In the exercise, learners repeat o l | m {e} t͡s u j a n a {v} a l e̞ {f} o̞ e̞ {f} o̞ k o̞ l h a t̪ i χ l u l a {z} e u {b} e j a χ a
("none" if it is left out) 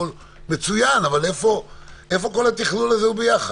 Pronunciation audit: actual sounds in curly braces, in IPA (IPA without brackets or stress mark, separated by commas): e, v, f, f, z, b